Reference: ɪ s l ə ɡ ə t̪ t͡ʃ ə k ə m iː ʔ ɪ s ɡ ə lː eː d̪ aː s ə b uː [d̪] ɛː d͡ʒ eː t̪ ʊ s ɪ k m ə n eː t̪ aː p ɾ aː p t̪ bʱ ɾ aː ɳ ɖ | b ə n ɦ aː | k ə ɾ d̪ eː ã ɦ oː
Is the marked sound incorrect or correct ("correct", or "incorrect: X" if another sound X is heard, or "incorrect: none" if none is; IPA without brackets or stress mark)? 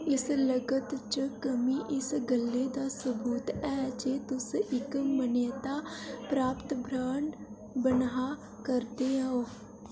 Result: incorrect: t̪